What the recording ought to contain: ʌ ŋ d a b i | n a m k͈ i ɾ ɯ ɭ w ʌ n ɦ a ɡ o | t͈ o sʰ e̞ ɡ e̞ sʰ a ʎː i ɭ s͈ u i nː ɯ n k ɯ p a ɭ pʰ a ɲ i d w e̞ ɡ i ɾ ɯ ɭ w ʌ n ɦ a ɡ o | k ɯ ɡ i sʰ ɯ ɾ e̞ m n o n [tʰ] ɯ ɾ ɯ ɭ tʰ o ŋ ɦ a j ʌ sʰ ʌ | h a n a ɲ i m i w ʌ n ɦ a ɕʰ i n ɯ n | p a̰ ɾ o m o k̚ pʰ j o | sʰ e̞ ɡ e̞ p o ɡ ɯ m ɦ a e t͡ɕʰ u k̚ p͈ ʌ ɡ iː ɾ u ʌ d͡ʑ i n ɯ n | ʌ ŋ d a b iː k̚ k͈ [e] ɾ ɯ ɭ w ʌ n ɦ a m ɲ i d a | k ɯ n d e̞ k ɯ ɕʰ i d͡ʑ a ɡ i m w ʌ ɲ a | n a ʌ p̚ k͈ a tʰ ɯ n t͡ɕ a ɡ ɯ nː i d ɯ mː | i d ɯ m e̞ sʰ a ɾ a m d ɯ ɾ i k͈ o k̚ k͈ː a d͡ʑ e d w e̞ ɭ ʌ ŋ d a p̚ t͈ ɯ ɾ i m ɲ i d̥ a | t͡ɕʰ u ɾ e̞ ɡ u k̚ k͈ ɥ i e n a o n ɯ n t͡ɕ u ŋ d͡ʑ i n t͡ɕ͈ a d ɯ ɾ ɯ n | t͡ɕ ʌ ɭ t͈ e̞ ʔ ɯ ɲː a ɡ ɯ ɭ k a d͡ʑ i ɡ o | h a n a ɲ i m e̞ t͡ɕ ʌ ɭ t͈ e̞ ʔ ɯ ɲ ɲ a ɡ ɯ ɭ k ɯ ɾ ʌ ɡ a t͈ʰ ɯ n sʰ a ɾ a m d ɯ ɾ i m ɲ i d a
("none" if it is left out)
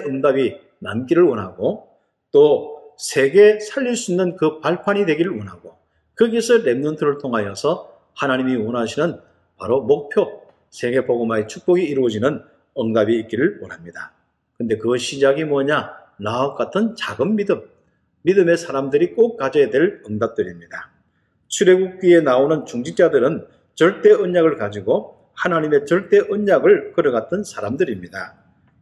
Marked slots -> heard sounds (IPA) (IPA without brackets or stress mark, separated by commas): tʰ, i